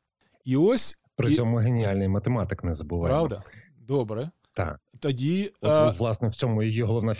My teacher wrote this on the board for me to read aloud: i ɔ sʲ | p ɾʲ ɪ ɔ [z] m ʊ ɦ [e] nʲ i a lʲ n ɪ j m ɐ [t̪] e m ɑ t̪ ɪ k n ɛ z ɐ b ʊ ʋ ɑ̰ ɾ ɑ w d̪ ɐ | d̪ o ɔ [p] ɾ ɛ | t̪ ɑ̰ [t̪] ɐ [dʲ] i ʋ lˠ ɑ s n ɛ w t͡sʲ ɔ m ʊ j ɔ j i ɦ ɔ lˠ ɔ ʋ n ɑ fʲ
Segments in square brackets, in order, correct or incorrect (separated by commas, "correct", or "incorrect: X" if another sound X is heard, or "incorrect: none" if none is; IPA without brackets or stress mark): incorrect: none, correct, correct, incorrect: b, correct, correct